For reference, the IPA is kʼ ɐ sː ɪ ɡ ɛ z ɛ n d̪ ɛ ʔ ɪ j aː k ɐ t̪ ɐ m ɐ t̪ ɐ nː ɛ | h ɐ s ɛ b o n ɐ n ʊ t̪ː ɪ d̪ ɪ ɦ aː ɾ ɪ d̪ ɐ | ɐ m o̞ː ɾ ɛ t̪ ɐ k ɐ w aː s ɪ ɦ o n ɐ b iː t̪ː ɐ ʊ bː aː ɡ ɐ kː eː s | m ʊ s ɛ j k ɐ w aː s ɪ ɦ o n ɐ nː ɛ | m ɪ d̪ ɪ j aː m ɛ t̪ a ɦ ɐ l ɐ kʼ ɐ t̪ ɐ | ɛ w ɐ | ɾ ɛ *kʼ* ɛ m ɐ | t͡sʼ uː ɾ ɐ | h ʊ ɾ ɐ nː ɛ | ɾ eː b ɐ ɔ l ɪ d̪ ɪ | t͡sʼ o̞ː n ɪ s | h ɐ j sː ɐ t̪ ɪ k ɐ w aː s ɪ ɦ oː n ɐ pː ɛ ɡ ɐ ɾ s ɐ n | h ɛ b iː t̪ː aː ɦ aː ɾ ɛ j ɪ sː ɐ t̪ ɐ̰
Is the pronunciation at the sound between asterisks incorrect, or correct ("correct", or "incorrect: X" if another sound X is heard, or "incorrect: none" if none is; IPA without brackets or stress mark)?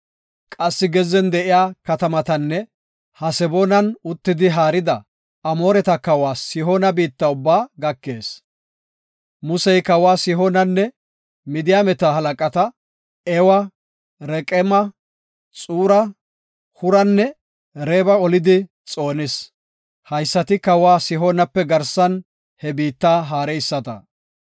correct